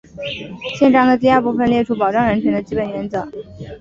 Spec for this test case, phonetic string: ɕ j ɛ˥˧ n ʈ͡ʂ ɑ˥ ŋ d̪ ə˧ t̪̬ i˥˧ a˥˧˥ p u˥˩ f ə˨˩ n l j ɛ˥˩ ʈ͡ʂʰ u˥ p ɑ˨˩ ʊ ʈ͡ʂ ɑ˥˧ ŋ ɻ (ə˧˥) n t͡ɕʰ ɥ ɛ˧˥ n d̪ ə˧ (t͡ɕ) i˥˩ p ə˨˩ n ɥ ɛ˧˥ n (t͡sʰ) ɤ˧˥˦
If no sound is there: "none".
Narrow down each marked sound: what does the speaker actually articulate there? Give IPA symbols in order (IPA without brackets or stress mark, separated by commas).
ə˧˥, t͡ɕ, t͡s